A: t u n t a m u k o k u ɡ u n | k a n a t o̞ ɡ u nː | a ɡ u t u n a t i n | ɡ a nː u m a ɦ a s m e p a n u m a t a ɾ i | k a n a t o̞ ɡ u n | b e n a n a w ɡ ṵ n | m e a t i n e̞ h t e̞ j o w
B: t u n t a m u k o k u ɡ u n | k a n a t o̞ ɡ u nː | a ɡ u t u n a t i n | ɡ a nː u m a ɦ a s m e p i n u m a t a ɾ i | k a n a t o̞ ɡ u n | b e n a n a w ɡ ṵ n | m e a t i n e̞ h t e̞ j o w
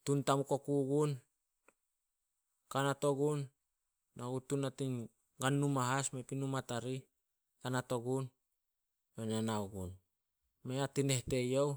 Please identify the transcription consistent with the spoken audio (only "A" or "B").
B